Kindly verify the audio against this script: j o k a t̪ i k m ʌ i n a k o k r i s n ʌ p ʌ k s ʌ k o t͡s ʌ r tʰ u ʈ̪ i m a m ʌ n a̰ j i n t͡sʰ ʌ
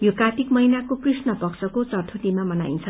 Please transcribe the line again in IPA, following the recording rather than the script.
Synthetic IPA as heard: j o k a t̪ i k m ʌ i n a k o p r i s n ʌ p ʌ k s ʌ k o t͡s ʌ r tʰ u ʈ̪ i m a m ʌ n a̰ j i n t͡sʰ ʌ

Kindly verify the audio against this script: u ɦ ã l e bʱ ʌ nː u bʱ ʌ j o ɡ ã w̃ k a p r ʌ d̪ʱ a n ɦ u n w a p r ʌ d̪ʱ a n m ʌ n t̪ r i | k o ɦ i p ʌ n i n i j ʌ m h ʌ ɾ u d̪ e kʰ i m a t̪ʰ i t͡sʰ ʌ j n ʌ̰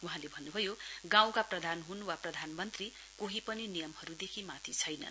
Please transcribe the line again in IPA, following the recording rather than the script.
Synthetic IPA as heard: u ɦ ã l e bʱ ʌ nː u bʱ ʌ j o ɡ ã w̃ k a p r ʌ d̪ʱ a n ɦ u n w a p r ʌ d̪ʱ a n m ʌ n t̪ r i | k o ɦ i p ʌ n i n i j ʌ m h ʌ ɾ u d̪ e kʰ i m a t̪ʰ i t͡sʰ ʌ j n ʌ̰

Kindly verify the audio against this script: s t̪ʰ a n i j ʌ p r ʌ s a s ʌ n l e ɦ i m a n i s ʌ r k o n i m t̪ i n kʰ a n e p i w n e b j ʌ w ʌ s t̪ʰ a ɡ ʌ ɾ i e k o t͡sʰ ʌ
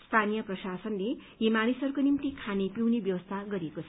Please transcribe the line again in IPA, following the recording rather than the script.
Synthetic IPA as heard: s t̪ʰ a n i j ʌ p r ʌ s a s ʌ n l e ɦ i m a n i s ʌ r k o n i m t̪ i kʰ a n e p i w n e b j ʌ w ʌ s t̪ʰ a ɡ ʌ ɾ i e k o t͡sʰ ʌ

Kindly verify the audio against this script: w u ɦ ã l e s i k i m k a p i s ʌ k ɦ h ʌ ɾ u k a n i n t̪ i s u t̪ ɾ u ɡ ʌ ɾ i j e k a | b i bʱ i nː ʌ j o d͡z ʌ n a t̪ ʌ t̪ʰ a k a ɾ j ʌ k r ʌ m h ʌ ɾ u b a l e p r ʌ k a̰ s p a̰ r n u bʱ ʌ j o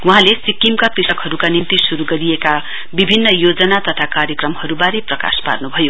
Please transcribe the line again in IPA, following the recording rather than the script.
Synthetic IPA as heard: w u ɦ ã l e s i k i m k a p i s ʌ k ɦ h ʌ ɾ u k a n i n t̪ i s u ɾ u ɡ ʌ ɾ i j e k a | b i bʱ i nː ʌ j o d͡z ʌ n a t̪ ʌ t̪ʰ a k a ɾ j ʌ k r ʌ m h ʌ ɾ u b a ɾ e p r ʌ k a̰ s p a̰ r n u bʱ ʌ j o

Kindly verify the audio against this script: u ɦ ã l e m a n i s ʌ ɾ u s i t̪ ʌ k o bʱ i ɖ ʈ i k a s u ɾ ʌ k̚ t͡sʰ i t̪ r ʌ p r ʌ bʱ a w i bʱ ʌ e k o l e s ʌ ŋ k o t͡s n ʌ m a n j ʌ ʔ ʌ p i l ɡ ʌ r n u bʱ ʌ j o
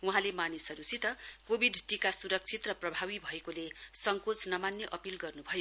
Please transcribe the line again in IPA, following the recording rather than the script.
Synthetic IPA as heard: u ɦ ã l e m a n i s ʌ ɾ u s i t̪ ʌ k o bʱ i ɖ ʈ i k a s u ɾ ʌ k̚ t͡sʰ i t̪ r ʌ p r ʌ bʱ a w i bʱ ʌ e k o l e s ʌ ŋ k o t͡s n ʌ m a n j ʌ ʔ ʌ p i l ɡ ʌ r n u bʱ ʌ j o

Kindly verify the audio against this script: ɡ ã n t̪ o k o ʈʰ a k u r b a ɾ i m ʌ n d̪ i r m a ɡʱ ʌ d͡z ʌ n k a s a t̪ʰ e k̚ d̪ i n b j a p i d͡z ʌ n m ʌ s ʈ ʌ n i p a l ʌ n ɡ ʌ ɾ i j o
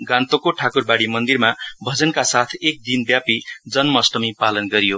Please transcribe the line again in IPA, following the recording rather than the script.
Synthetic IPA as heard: ɡ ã n t̪ o k o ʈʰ a k u r b a ɽ i m ʌ n d̪ i r m a bʱ ʌ d͡z ʌ n k a s a t̪ʰ e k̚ d̪ i n b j a p i d͡z ʌ n m ʌ s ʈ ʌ m i p a l ʌ n ɡ ʌ ɾ i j o

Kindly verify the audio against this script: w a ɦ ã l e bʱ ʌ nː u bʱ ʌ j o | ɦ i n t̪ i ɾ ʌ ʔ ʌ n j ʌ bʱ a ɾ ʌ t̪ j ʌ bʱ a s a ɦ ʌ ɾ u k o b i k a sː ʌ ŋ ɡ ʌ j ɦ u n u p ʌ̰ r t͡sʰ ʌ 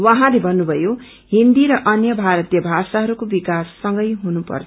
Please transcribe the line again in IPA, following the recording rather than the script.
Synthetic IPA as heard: w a ɦ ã l e bʱ ʌ nː u bʱ ʌ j o | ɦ i n d̪ i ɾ ʌ ʔ ʌ n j ʌ bʱ a ɾ ʌ t̪ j ʌ bʱ a s a ɦ ʌ ɾ u k o b i k a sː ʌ ŋ ɡ ʌ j ɦ u n u p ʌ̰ r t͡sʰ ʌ

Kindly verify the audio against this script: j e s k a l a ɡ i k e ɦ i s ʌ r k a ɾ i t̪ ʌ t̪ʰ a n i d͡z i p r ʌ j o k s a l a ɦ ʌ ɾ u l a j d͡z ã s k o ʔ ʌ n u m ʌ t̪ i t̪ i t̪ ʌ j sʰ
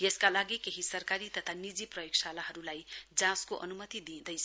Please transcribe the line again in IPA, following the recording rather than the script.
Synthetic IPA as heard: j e s k a l a ɡ i k e ɦ i s ʌ r k a ɾ i t̪ ʌ t̪ʰ a n i d͡z i p r ʌ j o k s a l a ɦ ʌ ɾ u l a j d͡z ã s k o ʔ ʌ n u m ʌ t̪ i d̪ i d̪ ʌ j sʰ

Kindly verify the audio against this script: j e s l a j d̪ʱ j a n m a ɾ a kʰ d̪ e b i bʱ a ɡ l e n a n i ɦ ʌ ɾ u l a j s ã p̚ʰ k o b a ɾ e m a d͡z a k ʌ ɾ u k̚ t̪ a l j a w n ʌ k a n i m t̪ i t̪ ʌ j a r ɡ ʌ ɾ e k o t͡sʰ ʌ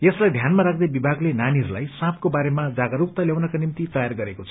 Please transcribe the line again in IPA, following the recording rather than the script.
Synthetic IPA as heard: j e s l a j d̪ʱ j a n m a ɾ a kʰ d̪ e b i bʱ a ɡ l e n a n i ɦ ʌ ɾ u l a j s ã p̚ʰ k o b a ɾ e m a d͡z a ɡ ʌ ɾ u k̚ t̪ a l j a w n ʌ k a n i m t̪ i t̪ ʌ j a r ɡ ʌ ɾ e k o t͡sʰ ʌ

